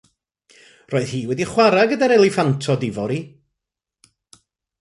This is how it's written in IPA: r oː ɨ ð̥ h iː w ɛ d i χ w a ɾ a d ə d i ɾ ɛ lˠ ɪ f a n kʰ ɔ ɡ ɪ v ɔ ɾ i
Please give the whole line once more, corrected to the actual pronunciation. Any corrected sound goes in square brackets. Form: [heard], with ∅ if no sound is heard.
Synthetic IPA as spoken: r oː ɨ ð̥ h iː w ɛ d i χ w a ɾ a [ɡ] ə d [a] ɾ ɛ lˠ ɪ f a n [tʰ] ɔ [d] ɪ v ɔ ɾ i